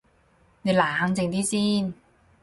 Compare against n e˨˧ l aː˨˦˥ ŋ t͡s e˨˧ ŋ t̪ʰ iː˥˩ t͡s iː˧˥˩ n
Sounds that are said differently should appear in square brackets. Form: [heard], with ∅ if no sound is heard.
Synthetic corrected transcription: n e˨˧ l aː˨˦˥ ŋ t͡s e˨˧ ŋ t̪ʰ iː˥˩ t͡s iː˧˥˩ n